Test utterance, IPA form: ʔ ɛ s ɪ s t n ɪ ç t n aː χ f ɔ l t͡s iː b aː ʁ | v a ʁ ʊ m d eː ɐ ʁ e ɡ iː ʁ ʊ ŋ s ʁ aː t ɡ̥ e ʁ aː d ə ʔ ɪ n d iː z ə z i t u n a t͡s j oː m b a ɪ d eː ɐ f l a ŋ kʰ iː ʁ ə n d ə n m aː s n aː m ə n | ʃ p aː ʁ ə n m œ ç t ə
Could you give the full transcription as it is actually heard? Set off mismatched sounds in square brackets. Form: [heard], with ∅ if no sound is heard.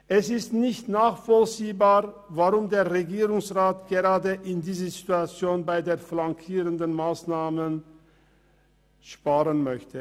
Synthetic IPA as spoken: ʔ ɛ s ɪ s t n ɪ ç t n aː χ f ɔ l t͡s iː b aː ʁ | v a ʁ ʊ m d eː ɐ ʁ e ɡ iː ʁ ʊ ŋ s ʁ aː t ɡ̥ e ʁ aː d ə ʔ ɪ n d iː z ə z i t u [∅] a t͡s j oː [n] b a ɪ d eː ɐ f l a ŋ kʰ iː ʁ ə n d ə n m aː s n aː m ə n | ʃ p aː ʁ ə n m œ ç t ə